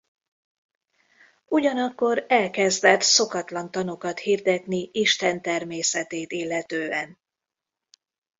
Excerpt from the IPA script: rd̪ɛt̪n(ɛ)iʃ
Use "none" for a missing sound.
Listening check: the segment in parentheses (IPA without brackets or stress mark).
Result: i